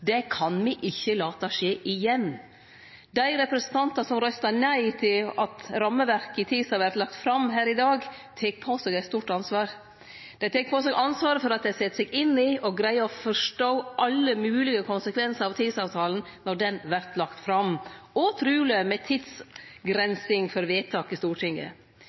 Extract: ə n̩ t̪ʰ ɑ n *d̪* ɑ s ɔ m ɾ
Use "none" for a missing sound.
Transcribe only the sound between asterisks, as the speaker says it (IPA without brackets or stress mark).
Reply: t̪